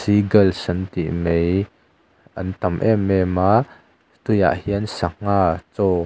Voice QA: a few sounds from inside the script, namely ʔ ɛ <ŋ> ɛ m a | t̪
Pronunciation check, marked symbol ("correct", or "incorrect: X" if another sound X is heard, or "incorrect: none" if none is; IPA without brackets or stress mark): incorrect: m